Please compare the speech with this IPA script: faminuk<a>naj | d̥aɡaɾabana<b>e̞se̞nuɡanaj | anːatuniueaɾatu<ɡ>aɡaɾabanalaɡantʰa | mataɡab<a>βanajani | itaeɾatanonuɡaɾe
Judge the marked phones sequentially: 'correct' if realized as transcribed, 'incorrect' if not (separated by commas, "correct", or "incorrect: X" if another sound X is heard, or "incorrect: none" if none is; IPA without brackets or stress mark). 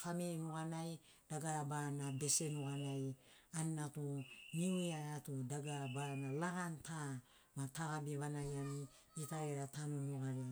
correct, correct, incorrect: d, incorrect: i